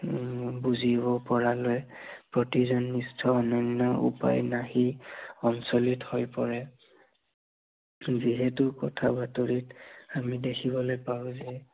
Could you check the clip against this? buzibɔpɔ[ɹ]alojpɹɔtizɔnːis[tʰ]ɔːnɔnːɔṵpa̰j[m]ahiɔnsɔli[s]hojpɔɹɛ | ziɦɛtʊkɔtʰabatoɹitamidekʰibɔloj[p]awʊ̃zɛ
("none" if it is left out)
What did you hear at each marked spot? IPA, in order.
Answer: ɹ, tʰ, n, t, p

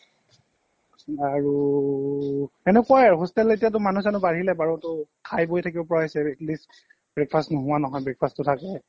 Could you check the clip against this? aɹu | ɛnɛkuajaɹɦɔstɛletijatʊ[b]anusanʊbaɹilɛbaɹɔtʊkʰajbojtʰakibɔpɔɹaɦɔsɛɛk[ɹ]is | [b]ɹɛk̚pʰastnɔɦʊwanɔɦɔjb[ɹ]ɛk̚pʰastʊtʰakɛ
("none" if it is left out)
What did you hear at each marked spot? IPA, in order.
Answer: m, l, b, ɹ

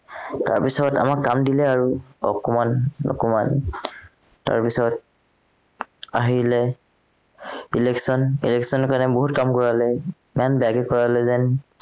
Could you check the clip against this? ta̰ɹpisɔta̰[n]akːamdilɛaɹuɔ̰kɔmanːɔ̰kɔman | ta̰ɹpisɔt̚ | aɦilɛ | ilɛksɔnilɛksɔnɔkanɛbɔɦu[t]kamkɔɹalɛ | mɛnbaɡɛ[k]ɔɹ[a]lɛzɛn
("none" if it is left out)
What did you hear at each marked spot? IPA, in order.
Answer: m, t, k, a

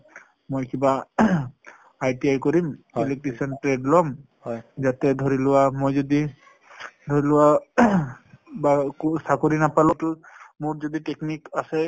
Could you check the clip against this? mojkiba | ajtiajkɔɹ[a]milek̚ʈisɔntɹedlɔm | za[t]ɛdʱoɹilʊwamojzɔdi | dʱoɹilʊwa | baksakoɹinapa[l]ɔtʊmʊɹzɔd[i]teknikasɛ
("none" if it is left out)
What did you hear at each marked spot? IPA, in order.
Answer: i, t, l, i

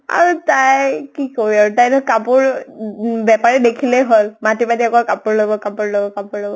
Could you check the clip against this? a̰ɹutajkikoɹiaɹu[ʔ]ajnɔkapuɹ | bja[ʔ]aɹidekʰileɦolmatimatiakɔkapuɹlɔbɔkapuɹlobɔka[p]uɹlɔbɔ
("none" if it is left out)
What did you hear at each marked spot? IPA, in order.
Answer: t, p, p

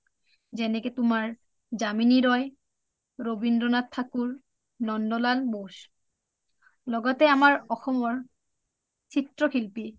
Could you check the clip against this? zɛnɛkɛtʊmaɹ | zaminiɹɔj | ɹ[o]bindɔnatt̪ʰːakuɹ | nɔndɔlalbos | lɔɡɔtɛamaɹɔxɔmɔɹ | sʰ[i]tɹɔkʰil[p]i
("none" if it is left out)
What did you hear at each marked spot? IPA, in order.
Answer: o, i, p

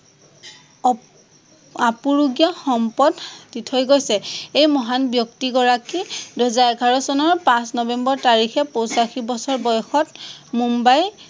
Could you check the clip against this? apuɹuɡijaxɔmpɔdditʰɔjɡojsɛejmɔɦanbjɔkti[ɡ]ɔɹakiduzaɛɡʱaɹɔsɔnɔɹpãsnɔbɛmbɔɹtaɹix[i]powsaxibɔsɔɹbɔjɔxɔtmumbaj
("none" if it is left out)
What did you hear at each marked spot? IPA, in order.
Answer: ɡ, ɛ

